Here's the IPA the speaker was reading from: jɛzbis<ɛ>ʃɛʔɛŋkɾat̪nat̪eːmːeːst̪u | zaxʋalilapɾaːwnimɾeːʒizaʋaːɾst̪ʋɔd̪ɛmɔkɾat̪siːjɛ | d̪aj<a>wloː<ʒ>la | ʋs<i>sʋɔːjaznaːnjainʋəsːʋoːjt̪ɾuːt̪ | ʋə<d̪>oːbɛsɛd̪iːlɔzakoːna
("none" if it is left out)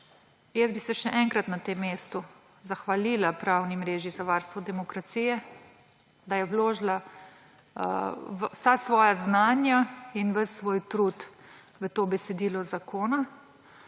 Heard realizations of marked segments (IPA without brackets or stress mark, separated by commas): ɛ, ɛ, ʒ, a, t̪